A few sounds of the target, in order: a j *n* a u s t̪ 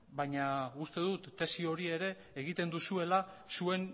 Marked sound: incorrect: ɲ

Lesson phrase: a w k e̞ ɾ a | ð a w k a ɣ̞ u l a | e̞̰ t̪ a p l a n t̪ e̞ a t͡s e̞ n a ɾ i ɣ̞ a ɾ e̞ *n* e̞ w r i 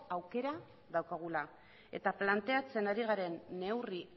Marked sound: incorrect: nː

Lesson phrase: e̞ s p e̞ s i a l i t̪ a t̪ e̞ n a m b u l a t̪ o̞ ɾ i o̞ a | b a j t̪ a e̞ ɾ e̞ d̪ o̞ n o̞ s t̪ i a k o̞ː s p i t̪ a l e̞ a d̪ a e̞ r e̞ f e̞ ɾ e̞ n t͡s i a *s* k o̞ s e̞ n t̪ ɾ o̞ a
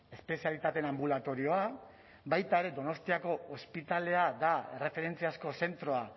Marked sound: correct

